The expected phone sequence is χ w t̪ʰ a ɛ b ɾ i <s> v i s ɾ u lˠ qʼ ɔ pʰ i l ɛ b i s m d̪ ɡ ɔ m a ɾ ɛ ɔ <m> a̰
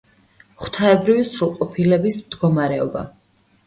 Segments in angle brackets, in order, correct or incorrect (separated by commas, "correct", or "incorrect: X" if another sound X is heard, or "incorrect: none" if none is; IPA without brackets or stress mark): incorrect: none, incorrect: b